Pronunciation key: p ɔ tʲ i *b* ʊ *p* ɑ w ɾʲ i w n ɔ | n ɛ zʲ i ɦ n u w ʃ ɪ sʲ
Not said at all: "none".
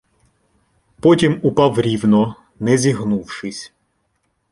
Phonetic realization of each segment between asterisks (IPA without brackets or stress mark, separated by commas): m, p